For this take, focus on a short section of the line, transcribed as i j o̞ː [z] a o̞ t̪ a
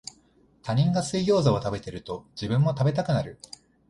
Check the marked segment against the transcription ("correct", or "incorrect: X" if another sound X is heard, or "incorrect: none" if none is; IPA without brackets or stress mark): correct